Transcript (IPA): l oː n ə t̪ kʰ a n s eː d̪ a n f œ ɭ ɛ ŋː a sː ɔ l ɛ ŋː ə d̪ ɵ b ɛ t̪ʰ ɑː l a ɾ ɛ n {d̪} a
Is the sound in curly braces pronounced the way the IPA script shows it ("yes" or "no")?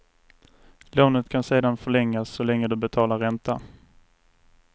no